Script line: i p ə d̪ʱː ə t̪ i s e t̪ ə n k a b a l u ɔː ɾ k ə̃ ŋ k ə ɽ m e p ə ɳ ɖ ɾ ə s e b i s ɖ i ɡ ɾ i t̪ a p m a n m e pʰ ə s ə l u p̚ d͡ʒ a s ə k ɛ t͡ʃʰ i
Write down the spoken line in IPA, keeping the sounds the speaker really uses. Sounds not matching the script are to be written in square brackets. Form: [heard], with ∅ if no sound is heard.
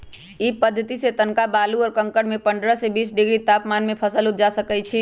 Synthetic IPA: i p ə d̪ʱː ə t̪ i s e t̪ ə n k a b a l u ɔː ɾ k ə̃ ŋ k ə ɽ m e p ə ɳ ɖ ɾ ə s e b i s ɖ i ɡ ɾ i t̪ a p m a n m e pʰ ə s ə l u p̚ d͡ʒ a s ə k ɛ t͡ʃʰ i